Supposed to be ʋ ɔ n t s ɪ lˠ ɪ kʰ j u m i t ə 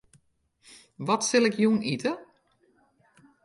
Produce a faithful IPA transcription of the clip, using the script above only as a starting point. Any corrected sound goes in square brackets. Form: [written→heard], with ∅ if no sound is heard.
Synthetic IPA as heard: ʋ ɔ [n→∅] t s ɪ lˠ ɪ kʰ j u [m→n] i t ə